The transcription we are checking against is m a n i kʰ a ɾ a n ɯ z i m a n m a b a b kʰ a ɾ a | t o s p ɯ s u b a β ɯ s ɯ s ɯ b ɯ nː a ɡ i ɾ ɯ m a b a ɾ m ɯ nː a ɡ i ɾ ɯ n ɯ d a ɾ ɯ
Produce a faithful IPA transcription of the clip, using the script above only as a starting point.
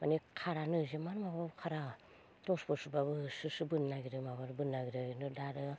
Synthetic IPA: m a n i kʰ a ɾ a n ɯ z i m a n m a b a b kʰ a ɾ a | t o s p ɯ s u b a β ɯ s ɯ s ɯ b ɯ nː a ɡ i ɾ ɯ m a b a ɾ b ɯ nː a ɡ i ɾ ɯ n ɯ d a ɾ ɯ